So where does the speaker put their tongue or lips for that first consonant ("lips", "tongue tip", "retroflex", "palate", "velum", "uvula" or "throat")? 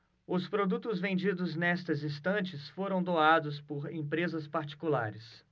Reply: tongue tip